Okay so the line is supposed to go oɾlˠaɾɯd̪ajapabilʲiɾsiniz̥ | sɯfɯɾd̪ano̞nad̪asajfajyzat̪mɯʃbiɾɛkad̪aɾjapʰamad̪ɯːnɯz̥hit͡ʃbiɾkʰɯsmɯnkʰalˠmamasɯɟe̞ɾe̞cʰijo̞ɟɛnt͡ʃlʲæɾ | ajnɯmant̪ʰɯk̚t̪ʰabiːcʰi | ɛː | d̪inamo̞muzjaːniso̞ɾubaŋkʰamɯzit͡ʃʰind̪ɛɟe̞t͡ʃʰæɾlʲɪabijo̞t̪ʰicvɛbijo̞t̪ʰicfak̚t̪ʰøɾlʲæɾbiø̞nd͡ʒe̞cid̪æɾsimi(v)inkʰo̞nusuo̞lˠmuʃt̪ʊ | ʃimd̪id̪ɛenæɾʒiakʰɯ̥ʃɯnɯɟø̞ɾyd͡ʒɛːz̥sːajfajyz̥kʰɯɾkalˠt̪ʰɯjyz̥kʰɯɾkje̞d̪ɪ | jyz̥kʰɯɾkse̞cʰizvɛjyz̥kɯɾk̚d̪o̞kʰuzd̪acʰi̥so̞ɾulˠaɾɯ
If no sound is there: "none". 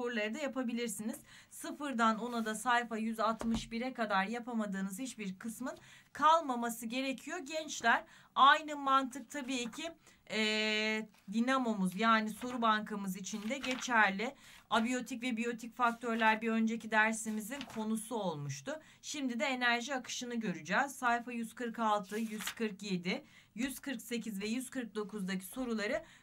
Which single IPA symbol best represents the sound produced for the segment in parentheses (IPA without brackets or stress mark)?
z